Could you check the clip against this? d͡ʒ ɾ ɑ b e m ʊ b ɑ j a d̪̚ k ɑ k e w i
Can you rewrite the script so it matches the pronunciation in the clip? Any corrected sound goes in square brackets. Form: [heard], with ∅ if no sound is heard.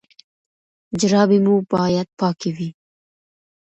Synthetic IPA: d͡ʒ ɾ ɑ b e m [u] b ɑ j a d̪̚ [p] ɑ k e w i